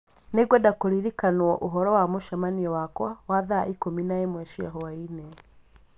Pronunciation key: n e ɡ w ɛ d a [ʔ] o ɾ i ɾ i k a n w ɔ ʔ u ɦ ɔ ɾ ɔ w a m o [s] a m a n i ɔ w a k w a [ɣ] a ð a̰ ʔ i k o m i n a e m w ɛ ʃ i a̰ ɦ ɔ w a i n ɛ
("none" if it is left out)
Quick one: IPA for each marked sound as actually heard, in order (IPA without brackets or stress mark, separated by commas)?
k, ʃ, w